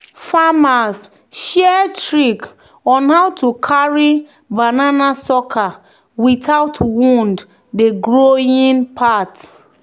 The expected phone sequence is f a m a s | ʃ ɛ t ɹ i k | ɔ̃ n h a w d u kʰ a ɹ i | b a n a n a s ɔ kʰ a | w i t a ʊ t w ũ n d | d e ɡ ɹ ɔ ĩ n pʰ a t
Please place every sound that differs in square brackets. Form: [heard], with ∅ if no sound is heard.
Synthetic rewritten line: f a m a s | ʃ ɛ t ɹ i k | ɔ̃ n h a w [t] u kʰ a ɹ i | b a n a n a s ɔ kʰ a | w i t a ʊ t w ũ n d | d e ɡ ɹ [o] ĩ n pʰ a t

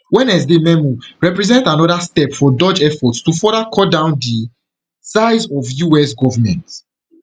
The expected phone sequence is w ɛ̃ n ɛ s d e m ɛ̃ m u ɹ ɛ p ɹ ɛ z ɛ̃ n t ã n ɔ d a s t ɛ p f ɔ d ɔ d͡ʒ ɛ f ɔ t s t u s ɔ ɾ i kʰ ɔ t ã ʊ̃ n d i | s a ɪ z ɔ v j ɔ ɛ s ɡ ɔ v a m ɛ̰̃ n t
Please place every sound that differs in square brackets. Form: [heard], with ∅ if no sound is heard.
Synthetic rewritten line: w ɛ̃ n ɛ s d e m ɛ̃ m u ɹ ɛ p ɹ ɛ z ɛ̃ n t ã n ɔ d a s t ɛ p f ɔ d ɔ d͡ʒ ɛ f ɔ t s t u [f] ɔ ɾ [a] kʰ ɔ [d] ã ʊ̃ n d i | s a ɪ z ɔ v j [u] ɛ s ɡ ɔ v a m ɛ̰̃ n t

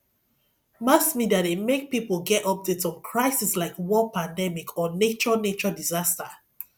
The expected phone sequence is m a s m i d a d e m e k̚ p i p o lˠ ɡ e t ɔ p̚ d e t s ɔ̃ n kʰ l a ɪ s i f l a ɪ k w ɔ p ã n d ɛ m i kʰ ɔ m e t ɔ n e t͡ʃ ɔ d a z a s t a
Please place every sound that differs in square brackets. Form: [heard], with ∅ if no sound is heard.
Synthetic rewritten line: m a s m i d a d e m e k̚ p i p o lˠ ɡ [ɛ] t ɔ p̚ d e t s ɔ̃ n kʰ [ɹ] a ɪ s i [s] l a ɪ k w ɔ p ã n d ɛ m i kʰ ɔ [n] e [t͡ʃ] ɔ n e t͡ʃ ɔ d [i] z a s t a

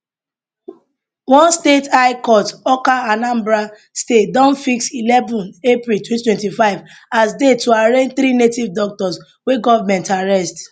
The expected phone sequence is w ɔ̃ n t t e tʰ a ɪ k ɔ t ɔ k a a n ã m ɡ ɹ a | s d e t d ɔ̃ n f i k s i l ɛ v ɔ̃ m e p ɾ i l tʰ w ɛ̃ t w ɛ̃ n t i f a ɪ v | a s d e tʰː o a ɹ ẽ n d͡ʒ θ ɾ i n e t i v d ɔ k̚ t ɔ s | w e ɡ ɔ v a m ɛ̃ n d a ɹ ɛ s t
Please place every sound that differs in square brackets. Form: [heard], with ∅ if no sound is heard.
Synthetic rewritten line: w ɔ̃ n [s] t e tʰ a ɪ k ɔ t ɔ k a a n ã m [b] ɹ a | s [t] e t d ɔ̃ n f i k s i l ɛ v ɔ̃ [n] e p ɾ i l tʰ w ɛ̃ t w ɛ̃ n t i f a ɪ v | a s d e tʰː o a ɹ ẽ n d͡ʒ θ ɾ i n e t i v d ɔ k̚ t ɔ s | w e ɡ ɔ v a m ɛ̃ n [t] a ɹ ɛ s t

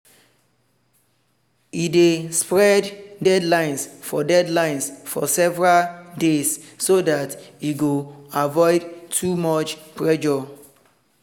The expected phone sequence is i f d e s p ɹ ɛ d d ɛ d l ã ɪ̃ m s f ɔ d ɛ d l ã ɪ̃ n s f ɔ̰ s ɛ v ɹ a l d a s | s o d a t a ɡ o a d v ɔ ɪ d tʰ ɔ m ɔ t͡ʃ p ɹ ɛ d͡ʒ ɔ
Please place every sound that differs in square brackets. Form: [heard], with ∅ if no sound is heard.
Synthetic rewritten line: i [∅] d e s p ɹ ɛ d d ɛ d l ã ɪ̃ [n] s f ɔ d ɛ d l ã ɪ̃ n s f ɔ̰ s ɛ v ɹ a l d [e] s | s o d a t [i] ɡ o a [∅] v ɔ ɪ d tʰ [u] m ɔ t͡ʃ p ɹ ɛ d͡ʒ ɔ

